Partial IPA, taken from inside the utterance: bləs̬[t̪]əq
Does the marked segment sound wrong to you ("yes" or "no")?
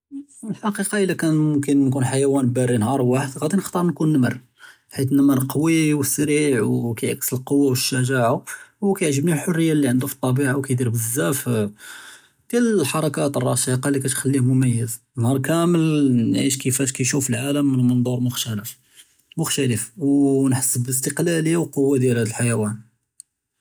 no